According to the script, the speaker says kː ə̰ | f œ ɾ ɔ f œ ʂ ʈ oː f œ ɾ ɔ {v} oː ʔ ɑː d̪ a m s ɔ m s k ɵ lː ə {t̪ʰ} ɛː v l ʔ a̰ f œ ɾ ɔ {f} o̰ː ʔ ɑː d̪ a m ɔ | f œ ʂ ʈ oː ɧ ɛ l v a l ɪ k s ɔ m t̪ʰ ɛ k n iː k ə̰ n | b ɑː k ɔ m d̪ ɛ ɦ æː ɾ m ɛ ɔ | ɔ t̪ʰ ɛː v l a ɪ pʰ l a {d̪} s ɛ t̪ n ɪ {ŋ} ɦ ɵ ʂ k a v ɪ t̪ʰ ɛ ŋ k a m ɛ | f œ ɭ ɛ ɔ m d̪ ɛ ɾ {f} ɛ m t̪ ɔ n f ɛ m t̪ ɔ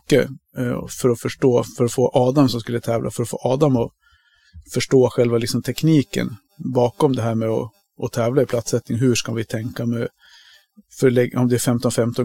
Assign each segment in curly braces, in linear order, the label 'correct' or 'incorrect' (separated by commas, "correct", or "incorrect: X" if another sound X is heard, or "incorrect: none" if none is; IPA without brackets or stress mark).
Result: incorrect: f, correct, correct, incorrect: t̪, correct, correct